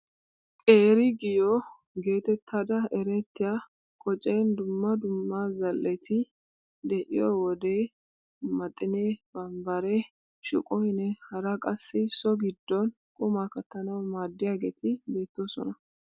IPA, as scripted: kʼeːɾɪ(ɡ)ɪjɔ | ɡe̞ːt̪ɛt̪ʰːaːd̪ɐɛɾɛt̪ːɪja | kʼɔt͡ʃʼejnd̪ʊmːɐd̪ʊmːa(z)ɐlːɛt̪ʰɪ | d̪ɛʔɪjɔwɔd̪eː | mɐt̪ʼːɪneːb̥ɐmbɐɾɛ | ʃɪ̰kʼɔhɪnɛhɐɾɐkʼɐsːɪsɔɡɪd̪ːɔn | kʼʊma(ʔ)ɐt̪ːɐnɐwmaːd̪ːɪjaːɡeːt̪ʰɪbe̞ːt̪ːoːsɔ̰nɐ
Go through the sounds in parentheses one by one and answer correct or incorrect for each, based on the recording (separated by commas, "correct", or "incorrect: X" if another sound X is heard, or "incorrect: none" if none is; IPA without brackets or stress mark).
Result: correct, correct, incorrect: k